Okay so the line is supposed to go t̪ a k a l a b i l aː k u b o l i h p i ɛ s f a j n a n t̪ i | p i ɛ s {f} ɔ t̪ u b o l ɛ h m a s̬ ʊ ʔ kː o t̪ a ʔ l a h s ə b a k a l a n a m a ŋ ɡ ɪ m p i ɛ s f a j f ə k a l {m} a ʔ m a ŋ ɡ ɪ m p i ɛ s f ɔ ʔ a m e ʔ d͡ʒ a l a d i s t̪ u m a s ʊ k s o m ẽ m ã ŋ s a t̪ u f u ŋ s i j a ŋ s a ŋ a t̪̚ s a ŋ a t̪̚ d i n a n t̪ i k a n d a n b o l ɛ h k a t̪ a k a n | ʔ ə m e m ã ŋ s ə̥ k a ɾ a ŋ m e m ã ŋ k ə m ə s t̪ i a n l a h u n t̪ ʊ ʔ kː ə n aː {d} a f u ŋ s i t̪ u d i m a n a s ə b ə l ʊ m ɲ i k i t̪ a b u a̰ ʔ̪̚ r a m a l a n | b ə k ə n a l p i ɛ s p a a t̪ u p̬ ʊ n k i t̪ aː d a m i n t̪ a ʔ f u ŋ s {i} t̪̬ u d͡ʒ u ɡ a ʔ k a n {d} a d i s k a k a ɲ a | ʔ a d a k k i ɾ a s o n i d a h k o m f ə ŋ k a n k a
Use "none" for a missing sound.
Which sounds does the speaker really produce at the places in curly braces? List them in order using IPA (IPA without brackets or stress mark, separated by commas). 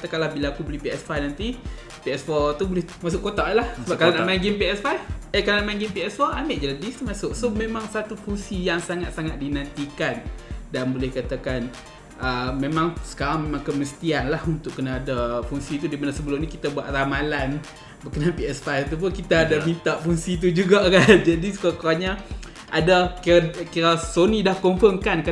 f, n, d, i, d͡ʒ